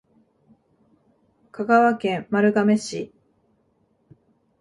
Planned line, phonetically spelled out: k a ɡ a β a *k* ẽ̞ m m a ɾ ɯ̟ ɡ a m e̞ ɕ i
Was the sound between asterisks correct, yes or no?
yes